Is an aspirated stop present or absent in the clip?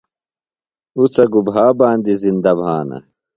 absent